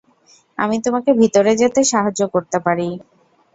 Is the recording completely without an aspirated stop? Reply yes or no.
yes